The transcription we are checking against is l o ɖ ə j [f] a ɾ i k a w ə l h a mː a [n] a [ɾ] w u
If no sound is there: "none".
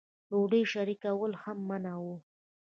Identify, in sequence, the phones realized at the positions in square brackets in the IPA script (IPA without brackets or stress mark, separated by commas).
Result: ʃ, n, none